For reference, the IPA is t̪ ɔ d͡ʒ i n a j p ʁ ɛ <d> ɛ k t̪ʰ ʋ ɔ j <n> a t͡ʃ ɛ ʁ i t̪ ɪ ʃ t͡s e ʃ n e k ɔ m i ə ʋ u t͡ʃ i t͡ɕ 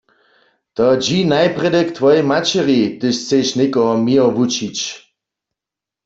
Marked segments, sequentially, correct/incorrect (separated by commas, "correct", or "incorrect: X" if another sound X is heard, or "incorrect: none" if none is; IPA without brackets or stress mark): correct, incorrect: m